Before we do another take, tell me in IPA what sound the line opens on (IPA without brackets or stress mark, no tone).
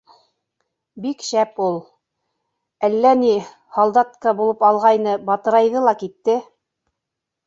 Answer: b